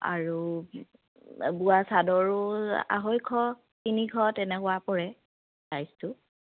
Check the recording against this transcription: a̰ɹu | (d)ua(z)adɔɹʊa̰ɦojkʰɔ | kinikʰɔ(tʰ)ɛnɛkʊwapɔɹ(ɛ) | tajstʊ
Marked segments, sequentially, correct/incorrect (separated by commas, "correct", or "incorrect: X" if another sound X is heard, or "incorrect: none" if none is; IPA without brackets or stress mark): incorrect: b, incorrect: s, incorrect: t, correct